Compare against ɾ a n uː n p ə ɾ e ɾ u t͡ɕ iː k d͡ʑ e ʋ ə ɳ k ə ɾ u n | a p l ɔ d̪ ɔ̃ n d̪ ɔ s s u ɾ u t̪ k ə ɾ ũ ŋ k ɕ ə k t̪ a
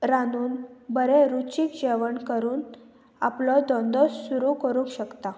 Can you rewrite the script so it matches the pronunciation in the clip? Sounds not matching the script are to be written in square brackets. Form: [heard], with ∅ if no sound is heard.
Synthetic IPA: ɾ a n uː n [b] ə ɾ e ɾ u t͡ɕ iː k d͡ʑ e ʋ ə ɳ k ə ɾ [uː] n | a p l ɔ d̪ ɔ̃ n d̪ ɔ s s u ɾ u [∅] k ə ɾ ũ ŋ k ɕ ə k t̪ a